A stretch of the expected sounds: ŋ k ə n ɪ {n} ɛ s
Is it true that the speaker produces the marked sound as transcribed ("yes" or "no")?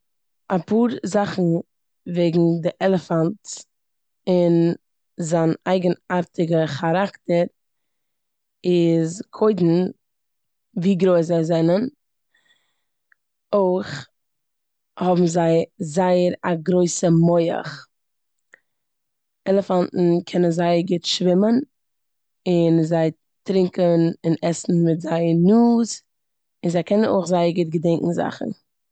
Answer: yes